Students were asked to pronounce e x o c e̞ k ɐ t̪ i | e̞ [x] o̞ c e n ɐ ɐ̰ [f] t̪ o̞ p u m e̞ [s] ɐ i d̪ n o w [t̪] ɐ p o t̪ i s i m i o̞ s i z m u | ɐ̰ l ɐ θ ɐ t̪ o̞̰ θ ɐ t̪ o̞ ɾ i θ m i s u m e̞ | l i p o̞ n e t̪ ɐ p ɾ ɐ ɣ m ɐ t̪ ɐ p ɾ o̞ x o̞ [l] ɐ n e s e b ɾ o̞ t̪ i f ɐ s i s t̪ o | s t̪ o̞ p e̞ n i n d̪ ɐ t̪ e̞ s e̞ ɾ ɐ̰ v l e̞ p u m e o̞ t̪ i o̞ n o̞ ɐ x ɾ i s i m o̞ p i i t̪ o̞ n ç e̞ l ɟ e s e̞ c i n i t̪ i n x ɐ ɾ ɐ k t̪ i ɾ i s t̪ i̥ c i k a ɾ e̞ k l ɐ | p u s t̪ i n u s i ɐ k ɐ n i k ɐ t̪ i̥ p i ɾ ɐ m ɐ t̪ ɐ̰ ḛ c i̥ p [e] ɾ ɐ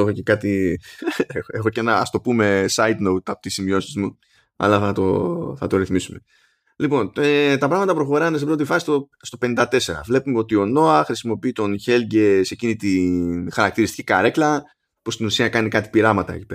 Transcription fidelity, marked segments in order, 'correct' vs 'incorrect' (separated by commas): correct, incorrect, correct, correct, incorrect, correct